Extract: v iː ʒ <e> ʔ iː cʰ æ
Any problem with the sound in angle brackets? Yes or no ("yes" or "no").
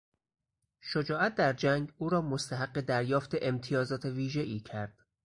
no